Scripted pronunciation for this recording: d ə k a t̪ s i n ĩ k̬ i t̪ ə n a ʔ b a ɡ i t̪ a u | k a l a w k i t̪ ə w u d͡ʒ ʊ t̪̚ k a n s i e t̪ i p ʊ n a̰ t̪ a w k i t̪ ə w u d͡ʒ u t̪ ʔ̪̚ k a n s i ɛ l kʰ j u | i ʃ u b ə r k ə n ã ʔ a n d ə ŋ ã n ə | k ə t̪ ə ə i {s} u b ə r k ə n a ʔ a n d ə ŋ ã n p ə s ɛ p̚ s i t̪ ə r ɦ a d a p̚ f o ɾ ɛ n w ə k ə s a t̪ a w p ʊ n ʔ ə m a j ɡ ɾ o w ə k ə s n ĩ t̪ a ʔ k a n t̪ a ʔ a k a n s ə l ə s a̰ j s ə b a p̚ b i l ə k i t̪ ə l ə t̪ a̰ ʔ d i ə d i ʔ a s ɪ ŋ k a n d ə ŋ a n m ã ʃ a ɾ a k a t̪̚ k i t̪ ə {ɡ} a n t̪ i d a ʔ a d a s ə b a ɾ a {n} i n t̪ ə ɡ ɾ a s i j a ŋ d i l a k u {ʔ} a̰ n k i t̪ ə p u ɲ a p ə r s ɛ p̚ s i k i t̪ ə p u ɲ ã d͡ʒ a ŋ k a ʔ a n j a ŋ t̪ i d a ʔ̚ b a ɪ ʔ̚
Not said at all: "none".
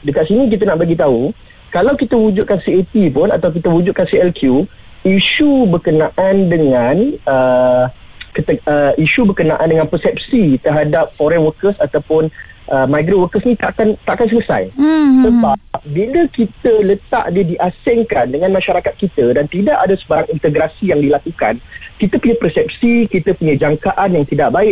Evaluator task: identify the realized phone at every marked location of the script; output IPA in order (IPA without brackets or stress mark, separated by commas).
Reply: ʃ, d, ŋ, k